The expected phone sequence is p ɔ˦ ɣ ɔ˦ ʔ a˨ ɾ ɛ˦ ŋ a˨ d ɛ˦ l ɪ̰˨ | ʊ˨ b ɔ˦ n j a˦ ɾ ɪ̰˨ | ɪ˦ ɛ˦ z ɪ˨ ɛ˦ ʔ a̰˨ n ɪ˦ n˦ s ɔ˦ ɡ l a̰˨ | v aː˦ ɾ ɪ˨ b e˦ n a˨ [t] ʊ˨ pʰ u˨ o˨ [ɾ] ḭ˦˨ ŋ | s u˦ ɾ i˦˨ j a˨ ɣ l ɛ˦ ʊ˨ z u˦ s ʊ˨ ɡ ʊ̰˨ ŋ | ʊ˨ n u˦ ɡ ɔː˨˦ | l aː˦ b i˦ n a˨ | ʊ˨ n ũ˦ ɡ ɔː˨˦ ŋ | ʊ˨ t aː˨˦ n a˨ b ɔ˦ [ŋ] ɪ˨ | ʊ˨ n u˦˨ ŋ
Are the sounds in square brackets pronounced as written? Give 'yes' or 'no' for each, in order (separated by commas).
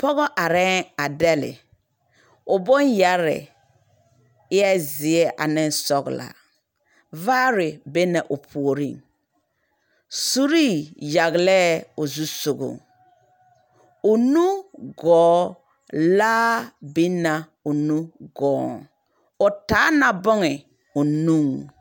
no, yes, yes